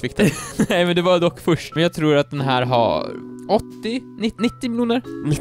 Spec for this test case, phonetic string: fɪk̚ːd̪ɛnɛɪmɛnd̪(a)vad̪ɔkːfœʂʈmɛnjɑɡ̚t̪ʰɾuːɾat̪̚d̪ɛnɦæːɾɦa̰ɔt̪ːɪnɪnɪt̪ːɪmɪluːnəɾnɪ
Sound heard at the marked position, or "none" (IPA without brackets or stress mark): ɛ